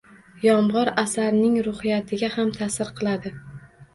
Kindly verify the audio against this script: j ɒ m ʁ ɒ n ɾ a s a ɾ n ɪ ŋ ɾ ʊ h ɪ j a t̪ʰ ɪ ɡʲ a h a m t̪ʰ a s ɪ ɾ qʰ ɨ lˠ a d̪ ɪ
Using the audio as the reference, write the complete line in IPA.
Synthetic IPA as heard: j ɒ m ʁ ɒ ɾ a s a ɾ n ɪ ŋ ɾ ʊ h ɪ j a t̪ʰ ɪ ɡʲ a h a m t̪ʰ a s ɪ ɾ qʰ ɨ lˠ a d̪ ɪ